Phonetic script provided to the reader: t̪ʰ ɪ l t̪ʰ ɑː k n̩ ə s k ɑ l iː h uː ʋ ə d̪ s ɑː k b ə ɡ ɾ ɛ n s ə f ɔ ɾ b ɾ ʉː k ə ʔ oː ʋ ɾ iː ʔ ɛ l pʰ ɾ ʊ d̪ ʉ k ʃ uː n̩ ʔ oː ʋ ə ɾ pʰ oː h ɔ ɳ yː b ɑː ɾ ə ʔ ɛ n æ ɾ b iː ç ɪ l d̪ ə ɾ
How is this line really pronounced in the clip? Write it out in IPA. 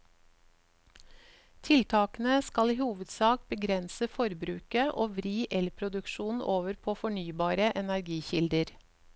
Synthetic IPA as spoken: t̪ʰ ɪ l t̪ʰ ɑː k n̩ ə s k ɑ l iː h uː ʋ ə d̪ s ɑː k b ə ɡ ɾ ɛ n s ə f ɔ ɾ b ɾ ʉː k ə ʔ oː ʋ ɾ iː ʔ ɛ l pʰ ɾ ʊ d̪ ʉ k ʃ uː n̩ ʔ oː ʋ ə ɾ pʰ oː f ɔ ɳ yː b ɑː ɾ ə ʔ ɛ n æ ɾ ɡ iː ç ɪ l d̪ ə ɾ